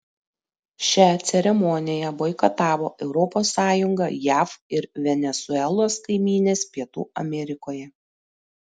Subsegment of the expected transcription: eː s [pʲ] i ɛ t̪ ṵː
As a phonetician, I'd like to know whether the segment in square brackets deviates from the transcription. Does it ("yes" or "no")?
no